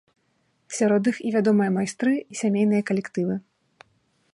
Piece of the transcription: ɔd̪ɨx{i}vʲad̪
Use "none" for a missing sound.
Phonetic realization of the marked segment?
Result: i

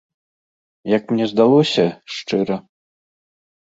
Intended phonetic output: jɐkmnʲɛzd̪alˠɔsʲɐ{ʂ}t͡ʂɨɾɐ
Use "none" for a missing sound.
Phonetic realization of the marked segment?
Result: ʂ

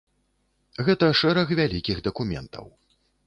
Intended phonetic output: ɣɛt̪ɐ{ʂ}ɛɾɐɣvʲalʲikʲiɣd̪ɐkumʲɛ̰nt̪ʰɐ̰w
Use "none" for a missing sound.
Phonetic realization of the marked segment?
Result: ʂ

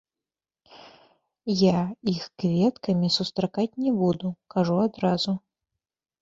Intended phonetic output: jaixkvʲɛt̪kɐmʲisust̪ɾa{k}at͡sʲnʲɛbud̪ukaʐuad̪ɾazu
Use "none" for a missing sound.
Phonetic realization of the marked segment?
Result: k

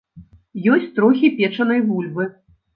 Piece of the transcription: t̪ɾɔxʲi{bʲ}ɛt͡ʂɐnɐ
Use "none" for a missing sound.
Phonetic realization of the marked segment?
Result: pʲ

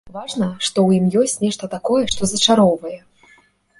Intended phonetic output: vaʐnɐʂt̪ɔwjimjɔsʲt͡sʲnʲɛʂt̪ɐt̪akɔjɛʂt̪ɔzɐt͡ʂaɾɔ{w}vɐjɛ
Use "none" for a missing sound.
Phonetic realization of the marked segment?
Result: w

